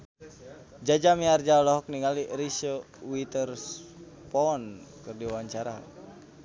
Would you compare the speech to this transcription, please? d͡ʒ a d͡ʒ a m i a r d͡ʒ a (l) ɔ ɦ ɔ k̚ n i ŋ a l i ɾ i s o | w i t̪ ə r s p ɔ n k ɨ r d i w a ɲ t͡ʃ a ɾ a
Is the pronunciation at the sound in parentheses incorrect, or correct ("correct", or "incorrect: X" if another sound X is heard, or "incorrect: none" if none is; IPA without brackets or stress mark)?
correct